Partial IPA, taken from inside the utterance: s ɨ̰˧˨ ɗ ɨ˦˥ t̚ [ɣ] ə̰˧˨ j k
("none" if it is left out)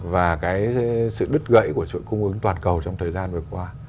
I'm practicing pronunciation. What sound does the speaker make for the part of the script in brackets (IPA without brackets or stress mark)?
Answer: ɣ